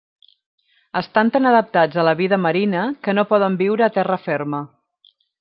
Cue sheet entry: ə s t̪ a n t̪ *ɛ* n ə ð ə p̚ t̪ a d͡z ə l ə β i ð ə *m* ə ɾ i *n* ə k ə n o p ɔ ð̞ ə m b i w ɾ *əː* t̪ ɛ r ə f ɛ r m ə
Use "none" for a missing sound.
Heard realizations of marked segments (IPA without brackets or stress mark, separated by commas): a, m, n, əː